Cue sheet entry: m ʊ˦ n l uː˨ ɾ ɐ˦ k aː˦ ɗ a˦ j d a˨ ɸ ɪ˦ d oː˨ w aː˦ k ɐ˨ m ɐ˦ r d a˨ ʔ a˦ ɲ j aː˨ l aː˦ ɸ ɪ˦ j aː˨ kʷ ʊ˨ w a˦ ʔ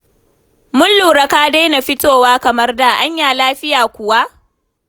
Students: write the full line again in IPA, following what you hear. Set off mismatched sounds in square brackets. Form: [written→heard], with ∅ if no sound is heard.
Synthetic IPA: m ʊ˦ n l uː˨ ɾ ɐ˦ k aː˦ [ɗ→d] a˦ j [d→n] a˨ ɸ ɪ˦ [d→t] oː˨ w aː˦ k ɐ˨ m ɐ˦ r d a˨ ʔ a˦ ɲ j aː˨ l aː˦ ɸ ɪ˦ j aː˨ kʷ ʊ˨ w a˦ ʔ